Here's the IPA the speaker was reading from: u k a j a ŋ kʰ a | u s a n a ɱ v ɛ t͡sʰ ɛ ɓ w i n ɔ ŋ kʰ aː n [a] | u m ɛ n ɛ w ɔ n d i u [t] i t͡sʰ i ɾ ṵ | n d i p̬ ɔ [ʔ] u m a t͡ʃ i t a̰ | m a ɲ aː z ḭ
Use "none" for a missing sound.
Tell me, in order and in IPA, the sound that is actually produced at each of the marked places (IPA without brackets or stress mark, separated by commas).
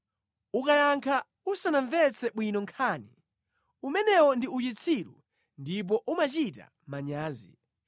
i, t͡ʃ, ʔ